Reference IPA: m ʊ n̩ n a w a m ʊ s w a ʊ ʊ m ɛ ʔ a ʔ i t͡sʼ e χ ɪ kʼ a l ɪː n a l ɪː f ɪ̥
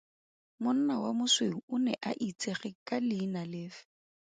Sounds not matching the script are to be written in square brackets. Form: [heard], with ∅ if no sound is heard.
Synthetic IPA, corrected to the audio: m ʊ n̩ n a w a m ʊ s w [e] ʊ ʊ [n] ɛ ʔ a ʔ i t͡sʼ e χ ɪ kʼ a l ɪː n a l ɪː f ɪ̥